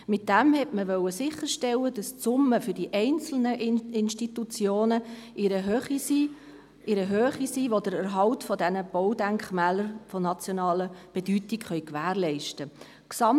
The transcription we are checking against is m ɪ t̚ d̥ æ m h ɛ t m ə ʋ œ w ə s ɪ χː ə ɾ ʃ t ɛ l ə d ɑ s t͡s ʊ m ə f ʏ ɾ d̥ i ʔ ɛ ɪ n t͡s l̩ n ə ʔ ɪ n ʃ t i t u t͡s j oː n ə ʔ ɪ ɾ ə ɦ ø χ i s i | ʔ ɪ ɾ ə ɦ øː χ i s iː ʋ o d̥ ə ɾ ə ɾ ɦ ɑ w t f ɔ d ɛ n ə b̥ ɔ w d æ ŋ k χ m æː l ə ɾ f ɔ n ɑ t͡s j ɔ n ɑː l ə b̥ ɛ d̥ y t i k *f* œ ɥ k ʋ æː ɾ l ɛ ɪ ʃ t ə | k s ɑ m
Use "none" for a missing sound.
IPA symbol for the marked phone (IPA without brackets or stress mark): χ